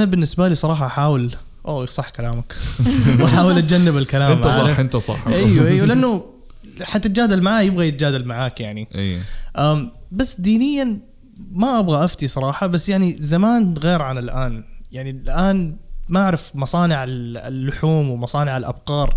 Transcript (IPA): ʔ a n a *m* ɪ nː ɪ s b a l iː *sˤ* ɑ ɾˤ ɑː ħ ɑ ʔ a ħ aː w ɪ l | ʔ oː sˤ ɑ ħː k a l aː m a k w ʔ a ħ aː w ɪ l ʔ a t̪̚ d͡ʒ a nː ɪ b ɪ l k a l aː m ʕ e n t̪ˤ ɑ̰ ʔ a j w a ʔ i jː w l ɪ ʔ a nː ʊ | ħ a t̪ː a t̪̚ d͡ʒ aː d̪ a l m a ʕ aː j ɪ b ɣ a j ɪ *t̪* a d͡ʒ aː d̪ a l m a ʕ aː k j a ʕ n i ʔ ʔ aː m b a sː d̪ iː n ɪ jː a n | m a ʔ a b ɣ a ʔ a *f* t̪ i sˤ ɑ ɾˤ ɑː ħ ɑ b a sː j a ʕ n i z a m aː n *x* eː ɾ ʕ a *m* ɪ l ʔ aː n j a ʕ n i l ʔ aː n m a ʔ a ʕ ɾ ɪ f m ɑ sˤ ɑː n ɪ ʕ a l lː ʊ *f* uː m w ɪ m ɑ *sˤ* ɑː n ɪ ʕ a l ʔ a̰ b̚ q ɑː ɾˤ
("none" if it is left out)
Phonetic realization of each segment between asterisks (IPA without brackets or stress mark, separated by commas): b, sˤ, t̪, f, ɣ, n, ħ, sˤ